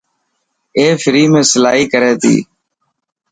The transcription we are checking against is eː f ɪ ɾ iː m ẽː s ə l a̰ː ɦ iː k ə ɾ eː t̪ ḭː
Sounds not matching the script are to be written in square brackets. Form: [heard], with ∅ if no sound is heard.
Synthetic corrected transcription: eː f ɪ ɾ iː m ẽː s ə l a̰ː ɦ iː k ə ɾ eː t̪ ḭː